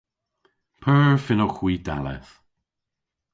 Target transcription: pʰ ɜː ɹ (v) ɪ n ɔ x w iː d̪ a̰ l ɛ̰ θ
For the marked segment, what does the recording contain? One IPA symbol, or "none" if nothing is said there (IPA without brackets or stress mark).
f